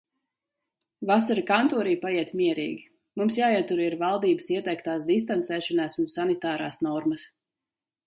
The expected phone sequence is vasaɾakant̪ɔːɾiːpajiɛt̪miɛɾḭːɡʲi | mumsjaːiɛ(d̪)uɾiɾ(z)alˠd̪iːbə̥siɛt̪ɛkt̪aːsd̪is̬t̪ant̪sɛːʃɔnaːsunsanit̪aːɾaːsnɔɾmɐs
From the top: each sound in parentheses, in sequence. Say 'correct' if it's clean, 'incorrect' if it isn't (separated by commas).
incorrect, incorrect